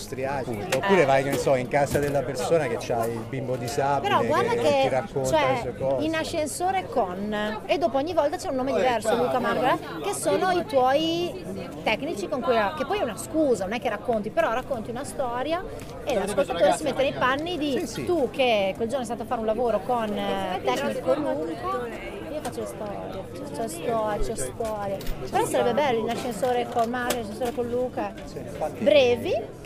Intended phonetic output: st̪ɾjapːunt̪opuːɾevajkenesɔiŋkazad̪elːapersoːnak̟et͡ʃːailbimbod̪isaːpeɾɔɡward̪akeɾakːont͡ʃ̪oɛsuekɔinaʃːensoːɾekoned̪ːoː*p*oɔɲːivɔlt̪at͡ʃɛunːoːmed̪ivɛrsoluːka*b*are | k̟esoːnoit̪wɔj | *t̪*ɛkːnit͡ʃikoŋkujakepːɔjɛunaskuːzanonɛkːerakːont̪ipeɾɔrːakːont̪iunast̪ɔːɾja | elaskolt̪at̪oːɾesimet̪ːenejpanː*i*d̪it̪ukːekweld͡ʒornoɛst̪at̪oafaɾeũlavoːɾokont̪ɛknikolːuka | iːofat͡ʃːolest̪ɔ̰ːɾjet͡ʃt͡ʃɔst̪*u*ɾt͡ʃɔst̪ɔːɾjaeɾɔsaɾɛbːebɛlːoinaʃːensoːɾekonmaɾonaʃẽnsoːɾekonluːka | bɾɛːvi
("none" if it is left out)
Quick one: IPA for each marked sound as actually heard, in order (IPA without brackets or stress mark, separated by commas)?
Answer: p, m, t̪, i, ɔ